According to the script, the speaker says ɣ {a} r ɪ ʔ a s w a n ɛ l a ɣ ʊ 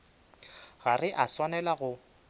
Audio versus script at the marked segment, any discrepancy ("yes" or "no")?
no